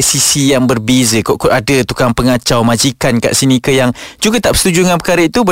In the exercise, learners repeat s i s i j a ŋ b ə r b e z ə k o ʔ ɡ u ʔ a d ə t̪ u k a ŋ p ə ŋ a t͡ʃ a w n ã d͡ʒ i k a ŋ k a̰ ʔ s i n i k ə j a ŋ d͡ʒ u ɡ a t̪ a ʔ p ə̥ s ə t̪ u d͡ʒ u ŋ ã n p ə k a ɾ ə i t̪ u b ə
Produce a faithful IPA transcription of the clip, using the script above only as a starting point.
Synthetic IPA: s i s i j a ŋ b ə r b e z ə k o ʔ k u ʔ a d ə t̪ u k a ŋ p ə ŋ a t͡ʃ a w m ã d͡ʒ i k a n k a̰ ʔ s i n i k ə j a ŋ d͡ʒ u ɡ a t̪ a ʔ p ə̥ s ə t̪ u d͡ʒ u ŋ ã n p ə k a ɾ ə i t̪ u b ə